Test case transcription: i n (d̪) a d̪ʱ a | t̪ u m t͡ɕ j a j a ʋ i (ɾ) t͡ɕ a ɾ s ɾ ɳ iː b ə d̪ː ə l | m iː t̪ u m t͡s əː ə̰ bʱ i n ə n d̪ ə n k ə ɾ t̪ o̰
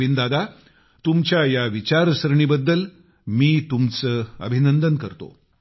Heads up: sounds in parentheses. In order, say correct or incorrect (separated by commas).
correct, incorrect